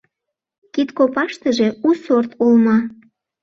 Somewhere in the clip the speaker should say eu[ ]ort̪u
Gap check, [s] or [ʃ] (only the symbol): s